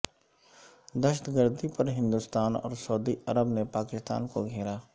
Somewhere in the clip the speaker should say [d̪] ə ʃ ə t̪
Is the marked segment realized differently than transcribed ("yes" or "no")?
no